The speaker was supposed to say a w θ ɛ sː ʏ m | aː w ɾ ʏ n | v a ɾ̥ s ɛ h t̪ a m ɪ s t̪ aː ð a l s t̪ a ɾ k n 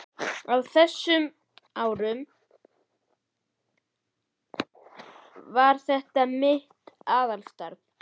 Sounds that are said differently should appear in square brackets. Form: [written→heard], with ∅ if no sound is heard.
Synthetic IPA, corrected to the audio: a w θ ɛ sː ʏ m | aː w ɾ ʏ [n→m] | v a ɾ̥ [s→θ] ɛ h t̪ a m ɪ [s→h] t̪ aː ð a l s t̪ a ɾ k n

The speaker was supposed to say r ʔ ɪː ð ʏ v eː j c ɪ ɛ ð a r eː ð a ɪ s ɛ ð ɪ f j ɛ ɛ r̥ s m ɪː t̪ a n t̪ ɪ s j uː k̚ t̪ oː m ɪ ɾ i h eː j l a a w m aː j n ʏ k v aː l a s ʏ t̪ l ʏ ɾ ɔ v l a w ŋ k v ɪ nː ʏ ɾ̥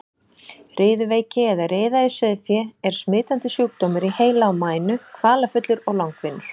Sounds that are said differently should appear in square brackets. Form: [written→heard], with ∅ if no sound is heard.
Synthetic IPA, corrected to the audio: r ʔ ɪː ð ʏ v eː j c ɪ ɛ ð a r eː ð a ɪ s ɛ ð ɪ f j ɛ ɛ [r̥→ɾ̥] s m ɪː t̪ a n t̪ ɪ s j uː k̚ t̪ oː m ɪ ɾ i h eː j l a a w m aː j n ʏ [k→kʰ] v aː l a [s→f] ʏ t̪ l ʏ ɾ ɔ [v→ɣ] l a w ŋ k v ɪ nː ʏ ɾ̥

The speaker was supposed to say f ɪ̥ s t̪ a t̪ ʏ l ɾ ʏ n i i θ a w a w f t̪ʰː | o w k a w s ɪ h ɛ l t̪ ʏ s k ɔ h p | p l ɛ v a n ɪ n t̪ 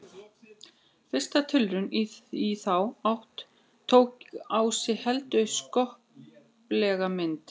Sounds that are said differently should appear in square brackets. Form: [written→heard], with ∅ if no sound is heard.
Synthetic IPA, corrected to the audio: f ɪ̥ s t̪ a [t̪→t̪ʰ] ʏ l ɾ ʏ n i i θ a w a w [f→h] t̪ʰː | o w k a w s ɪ h ɛ l t̪ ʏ s k ɔ h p | p l ɛ [v→ɣ] a [n→m] ɪ n t̪

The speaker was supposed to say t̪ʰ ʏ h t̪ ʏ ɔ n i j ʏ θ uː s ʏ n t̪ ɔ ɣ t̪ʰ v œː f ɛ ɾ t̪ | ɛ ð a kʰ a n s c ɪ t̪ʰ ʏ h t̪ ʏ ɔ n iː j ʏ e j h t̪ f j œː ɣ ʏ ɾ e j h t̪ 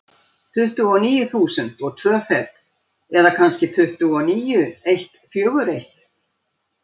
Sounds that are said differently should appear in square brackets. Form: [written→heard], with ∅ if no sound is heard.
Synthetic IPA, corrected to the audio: t̪ʰ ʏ h t̪ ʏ ɔ n [i→iː] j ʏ θ uː s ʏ n t̪ ɔ ɣ t̪ʰ v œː f ɛ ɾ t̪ | ɛ ð a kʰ a n s c ɪ t̪ʰ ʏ h t̪ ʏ ɔ n iː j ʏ e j h t̪ f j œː ɣ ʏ ɾ e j h t̪

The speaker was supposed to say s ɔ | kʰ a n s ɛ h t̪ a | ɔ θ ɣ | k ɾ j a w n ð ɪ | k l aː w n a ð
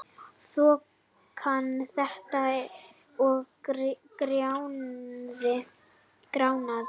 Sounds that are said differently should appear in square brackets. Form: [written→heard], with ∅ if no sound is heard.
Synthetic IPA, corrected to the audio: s ɔ | kʰ a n [s→θ] ɛ h t̪ a | ɔ [θ→∅] ɣ | k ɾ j a w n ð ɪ | k [l→ɾ] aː w n a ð

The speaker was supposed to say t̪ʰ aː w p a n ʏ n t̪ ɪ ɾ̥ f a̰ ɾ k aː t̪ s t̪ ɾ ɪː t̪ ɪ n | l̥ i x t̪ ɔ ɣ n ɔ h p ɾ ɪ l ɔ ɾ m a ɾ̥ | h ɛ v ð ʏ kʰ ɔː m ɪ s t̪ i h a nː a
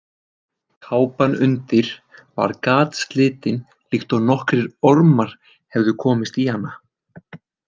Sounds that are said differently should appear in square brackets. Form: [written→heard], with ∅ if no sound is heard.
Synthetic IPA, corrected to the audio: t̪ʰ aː w p a n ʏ n t̪ ɪ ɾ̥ [f→v] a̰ ɾ k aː t̪ s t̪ [ɾ→l] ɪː t̪ ɪ n | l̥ i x t̪ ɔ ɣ n ɔ h [p→k] ɾ ɪ [l→ɾ] ɔ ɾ m a ɾ̥ | h ɛ v ð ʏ kʰ ɔː m ɪ s t̪ i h a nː a

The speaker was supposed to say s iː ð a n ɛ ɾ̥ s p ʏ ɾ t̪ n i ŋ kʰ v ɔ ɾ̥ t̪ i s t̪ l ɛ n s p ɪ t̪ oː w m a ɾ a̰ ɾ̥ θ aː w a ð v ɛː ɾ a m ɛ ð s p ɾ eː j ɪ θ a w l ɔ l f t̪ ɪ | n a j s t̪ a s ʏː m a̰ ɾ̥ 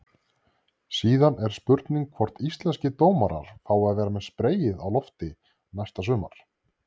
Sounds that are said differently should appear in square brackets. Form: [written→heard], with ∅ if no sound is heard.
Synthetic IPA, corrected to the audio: s iː ð a n ɛ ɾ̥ s p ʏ ɾ t̪ n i ŋ kʰ v ɔ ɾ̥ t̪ i s t̪ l ɛ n s [p→c] ɪ t̪ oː w m a ɾ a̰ ɾ̥ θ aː w a ð v ɛː ɾ a m ɛ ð s p ɾ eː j ɪ [θ→ð] a w l ɔ [l→∅] f t̪ ɪ | n a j s t̪ a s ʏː m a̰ ɾ̥

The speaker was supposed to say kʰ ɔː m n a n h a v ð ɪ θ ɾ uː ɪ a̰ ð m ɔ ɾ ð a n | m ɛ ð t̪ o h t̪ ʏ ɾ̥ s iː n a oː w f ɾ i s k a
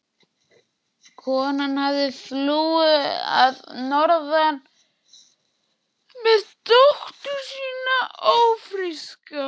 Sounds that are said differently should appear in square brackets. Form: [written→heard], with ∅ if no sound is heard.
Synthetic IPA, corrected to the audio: kʰ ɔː [m→∅] n a n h a v ð ɪ θ [ɾ→l] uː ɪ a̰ ð [m→n] ɔ ɾ ð a n | m ɛ ð t̪ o h t̪ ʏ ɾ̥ s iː n a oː w f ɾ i s k a

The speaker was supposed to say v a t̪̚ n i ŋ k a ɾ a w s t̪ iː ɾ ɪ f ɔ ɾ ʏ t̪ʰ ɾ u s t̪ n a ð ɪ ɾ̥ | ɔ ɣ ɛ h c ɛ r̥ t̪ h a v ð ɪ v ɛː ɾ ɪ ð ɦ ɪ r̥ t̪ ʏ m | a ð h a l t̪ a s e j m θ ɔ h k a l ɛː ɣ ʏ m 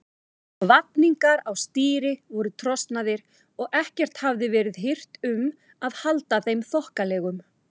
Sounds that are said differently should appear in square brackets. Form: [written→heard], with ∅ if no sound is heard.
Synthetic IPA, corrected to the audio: v a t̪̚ n i ŋ k a ɾ a w s t̪ iː ɾ ɪ [f→v] ɔ ɾ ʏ t̪ʰ ɾ [u→ɔ] s t̪ n a ð ɪ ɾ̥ | ɔ ɣ ɛ h c ɛ r̥ t̪ h a v ð ɪ v ɛː ɾ ɪ ð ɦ ɪ r̥ t̪ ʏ m | a ð h a l t̪ a [s→θ] e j m θ ɔ h k a l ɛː ɣ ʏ m

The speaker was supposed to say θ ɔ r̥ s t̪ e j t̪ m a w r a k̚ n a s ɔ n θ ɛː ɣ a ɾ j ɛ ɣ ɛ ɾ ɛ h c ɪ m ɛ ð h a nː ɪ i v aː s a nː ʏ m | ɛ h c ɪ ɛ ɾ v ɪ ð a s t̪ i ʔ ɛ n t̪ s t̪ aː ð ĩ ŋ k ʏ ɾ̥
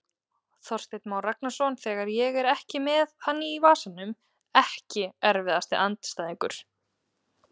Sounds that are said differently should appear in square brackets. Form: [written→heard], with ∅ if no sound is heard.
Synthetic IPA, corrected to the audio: θ ɔ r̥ s t̪ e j t̪ m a w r a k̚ n a s ɔ n θ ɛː ɣ a ɾ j ɛ ɣ ɛ ɾ ɛ h c ɪ m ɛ ð h a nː ɪ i v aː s a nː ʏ m | ɛ h c ɪ ɛ ɾ v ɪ ð a s t̪ [i→ɪ] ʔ [ɛ→a] n t̪ s t̪ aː ð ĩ ŋ k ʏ ɾ̥

